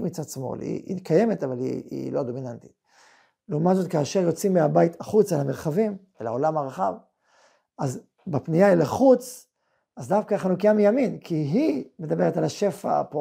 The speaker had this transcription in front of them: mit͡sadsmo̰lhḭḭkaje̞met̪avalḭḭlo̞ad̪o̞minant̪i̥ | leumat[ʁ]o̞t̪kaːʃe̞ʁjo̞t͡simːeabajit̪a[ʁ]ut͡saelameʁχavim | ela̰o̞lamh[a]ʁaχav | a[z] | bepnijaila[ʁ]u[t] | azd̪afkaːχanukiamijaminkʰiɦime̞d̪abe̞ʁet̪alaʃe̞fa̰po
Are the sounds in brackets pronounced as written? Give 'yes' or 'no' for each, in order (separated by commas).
no, no, yes, yes, no, no